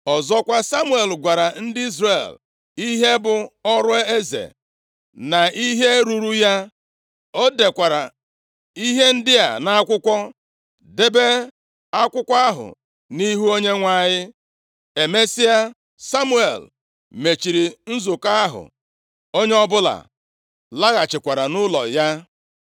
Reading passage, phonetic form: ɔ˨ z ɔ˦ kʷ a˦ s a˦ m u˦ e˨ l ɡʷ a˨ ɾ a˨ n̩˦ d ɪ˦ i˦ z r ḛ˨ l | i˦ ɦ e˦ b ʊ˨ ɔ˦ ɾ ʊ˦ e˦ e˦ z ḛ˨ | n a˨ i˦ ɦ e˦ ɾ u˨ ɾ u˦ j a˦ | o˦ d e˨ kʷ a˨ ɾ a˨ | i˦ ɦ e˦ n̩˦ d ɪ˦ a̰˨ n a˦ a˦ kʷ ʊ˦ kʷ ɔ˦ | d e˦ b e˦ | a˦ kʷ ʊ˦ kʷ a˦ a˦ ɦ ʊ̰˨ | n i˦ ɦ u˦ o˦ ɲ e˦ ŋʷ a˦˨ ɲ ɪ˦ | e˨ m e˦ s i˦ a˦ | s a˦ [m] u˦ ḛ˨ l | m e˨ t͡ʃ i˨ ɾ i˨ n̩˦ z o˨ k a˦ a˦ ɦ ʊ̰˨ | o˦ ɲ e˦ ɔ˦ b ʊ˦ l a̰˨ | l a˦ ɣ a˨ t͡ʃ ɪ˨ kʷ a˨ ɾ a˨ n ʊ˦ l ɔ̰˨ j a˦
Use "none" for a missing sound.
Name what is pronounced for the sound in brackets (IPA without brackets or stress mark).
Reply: m